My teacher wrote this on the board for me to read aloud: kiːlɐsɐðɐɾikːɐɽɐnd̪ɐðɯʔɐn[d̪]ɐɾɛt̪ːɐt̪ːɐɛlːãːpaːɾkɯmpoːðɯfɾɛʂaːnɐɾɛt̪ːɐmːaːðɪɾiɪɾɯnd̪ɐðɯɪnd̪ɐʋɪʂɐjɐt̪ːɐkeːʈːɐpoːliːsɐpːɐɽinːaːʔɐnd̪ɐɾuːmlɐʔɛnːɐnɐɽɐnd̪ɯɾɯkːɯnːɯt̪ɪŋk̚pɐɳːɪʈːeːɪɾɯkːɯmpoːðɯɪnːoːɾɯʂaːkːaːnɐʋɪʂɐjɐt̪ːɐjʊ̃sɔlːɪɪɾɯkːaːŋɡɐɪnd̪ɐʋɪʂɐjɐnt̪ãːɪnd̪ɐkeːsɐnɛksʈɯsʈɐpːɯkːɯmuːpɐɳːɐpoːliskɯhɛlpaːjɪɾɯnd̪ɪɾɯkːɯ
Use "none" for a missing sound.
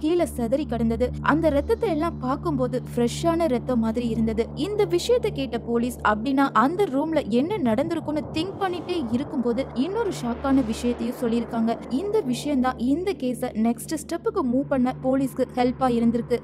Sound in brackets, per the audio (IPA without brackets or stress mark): d̪